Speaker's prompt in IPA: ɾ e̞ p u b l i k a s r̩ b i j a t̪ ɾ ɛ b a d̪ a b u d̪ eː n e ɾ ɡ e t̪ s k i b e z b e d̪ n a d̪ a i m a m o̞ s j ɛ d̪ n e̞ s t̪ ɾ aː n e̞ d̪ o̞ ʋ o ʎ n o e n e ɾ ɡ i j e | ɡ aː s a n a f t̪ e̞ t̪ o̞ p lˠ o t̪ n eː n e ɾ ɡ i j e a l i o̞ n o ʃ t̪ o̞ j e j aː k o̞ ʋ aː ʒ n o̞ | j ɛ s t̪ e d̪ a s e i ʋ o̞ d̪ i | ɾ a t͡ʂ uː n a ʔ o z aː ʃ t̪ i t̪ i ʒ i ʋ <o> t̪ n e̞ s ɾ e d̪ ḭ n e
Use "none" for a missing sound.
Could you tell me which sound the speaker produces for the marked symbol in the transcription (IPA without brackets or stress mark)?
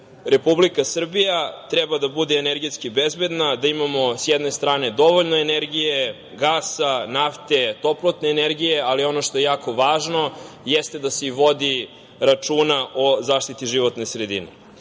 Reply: o